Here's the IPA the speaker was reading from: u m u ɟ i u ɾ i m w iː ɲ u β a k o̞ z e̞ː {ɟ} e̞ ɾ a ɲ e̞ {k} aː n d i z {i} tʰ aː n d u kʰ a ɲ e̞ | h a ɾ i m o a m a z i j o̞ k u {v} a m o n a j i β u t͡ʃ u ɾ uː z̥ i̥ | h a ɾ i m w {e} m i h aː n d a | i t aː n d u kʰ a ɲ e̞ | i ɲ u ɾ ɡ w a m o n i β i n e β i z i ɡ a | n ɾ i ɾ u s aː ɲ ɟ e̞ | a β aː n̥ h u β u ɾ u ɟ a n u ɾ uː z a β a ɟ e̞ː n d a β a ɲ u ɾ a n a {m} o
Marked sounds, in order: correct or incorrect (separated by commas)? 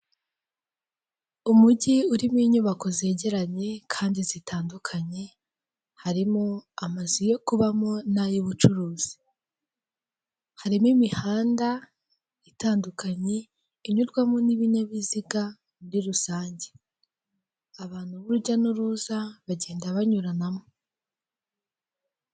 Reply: correct, incorrect, correct, incorrect, incorrect, correct